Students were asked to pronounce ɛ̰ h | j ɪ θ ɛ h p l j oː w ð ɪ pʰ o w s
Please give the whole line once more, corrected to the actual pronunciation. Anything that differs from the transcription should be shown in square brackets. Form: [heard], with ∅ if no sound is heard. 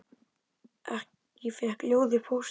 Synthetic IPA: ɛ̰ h | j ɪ [f] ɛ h [k] l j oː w ð ɪ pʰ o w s